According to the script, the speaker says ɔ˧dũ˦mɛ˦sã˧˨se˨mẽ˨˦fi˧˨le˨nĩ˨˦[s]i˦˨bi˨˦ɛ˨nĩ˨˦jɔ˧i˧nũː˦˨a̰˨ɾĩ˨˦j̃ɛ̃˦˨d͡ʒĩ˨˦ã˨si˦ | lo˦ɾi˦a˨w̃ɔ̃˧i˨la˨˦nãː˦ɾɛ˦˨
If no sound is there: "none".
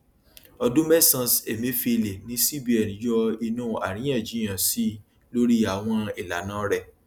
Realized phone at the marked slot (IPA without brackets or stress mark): s